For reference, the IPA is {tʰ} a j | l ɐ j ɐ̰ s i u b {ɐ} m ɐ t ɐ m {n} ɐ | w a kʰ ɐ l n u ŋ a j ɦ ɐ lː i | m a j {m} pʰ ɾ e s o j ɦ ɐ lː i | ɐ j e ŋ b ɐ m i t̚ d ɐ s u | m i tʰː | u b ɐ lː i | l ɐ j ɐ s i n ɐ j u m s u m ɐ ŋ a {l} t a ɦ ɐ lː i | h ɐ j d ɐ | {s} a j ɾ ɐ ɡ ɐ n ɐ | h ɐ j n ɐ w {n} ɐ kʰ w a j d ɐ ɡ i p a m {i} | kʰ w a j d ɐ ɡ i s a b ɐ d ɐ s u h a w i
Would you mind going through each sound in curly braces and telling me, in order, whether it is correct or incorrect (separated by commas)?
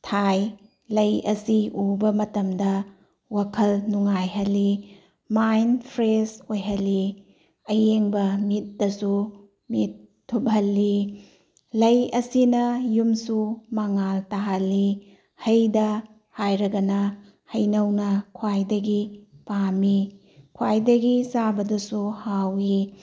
correct, correct, incorrect, incorrect, correct, incorrect, correct, correct